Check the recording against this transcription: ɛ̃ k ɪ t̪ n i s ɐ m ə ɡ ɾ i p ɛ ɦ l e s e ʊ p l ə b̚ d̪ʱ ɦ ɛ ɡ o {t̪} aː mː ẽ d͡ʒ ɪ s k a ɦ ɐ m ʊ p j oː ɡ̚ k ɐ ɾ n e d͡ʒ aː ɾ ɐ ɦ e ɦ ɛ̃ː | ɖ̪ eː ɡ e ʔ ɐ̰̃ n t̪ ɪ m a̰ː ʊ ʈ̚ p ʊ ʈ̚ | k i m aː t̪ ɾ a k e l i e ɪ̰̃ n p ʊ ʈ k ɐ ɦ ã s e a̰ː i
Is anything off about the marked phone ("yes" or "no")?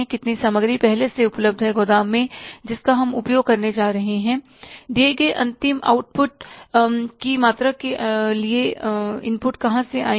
yes